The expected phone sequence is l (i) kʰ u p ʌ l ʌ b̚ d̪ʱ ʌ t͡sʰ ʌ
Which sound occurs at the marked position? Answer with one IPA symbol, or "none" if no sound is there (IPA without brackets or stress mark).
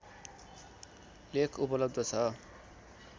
e